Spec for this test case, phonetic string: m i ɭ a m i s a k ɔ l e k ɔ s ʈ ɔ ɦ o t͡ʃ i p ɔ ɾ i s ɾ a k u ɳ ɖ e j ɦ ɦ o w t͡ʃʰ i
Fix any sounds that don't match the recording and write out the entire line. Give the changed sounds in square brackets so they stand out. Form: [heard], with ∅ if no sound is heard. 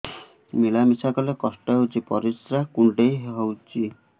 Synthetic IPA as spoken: m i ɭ a m i s a k ɔ l e k ɔ s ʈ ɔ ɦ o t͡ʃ i p ɔ ɾ i s ɾ a k u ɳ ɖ e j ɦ ɦ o w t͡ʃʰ i